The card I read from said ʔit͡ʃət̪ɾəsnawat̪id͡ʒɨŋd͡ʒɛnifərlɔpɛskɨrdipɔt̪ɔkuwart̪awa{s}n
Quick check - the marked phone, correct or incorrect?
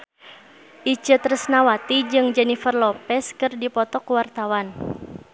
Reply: incorrect